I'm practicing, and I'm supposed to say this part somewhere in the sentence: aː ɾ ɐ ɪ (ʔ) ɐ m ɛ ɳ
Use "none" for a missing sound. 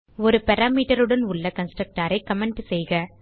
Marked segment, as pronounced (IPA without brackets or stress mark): k